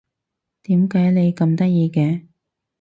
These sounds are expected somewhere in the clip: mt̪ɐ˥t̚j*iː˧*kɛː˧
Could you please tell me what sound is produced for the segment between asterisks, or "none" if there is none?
iː˧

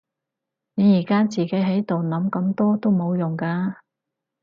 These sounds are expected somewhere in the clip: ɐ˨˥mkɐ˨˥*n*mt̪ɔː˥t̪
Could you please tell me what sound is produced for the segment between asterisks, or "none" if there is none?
none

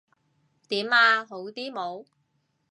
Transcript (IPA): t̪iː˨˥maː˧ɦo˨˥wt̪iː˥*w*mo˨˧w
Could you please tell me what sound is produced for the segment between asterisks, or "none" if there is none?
none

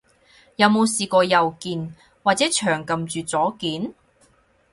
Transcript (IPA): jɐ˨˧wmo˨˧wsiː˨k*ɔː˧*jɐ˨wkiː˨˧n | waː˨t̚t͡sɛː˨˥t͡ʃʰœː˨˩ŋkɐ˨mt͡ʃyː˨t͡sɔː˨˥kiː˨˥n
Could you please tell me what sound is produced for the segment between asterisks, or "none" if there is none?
ɔː˧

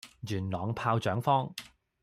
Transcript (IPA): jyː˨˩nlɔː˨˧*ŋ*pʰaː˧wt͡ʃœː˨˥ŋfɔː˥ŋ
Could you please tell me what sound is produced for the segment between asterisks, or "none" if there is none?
ŋ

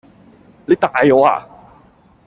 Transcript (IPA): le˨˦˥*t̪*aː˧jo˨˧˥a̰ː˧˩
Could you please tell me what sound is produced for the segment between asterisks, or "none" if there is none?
t̪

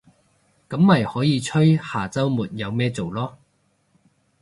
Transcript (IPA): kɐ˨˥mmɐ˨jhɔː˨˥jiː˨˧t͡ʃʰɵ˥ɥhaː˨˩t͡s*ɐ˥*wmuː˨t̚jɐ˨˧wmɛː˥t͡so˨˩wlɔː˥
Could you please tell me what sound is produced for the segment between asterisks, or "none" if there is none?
ɐ˥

